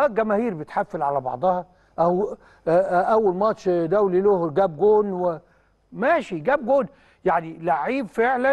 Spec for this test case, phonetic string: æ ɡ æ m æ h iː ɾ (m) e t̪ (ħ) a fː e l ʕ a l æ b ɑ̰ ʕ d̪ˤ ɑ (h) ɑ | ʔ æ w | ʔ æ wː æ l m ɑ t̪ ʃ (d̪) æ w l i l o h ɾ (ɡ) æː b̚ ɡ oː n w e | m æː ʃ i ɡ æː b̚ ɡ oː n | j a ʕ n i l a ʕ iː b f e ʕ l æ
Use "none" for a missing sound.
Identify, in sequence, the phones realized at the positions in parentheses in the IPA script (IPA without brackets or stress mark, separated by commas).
b, ħ, h, d̪, ɡ